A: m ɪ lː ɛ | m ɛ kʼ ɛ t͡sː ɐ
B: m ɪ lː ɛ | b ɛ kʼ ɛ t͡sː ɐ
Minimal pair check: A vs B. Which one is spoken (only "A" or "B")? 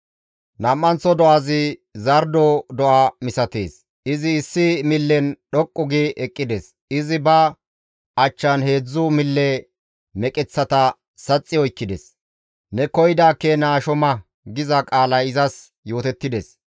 A